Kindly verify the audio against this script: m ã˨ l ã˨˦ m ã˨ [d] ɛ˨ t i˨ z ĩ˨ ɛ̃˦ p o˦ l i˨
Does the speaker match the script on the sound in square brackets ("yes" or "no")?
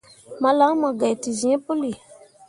no